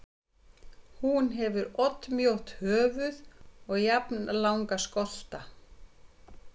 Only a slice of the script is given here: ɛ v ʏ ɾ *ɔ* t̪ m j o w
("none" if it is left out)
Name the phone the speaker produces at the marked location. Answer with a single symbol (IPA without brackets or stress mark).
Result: ɔ